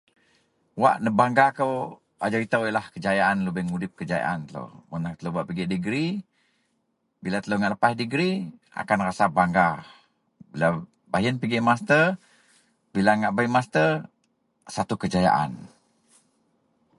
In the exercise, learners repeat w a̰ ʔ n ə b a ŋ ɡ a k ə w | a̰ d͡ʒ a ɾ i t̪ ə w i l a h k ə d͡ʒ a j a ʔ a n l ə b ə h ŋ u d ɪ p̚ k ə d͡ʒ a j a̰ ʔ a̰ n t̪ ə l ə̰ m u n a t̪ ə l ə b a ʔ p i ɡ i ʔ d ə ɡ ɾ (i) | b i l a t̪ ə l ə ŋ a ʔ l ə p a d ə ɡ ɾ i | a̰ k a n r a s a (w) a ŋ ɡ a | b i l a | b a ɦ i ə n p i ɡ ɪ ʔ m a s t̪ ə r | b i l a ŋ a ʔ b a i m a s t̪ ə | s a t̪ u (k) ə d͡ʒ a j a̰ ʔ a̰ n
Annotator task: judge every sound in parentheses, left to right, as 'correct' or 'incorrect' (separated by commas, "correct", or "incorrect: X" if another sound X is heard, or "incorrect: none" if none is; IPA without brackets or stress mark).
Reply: correct, incorrect: b, correct